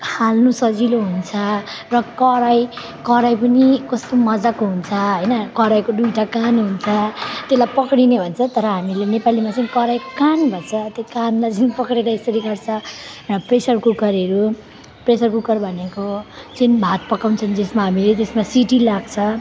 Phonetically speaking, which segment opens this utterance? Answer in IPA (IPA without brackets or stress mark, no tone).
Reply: h